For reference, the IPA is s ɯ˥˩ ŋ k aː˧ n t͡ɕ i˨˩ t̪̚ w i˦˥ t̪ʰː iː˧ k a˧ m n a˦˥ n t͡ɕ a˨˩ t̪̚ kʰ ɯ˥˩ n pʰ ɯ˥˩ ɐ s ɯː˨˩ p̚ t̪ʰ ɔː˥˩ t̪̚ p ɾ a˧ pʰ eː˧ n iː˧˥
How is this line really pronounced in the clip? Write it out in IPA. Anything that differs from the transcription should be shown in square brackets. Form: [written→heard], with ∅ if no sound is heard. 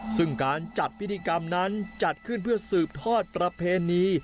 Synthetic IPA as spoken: s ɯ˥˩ ŋ k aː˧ n t͡ɕ [i˨˩→a˨˩] t̪̚ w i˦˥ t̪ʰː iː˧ k a˧ m n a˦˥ n t͡ɕ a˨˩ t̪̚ kʰ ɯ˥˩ n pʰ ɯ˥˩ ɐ s ɯː˨˩ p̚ t̪ʰ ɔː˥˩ t̪̚ p ɾ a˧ pʰ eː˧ n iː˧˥